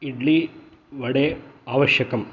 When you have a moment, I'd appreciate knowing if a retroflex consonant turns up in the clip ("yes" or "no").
yes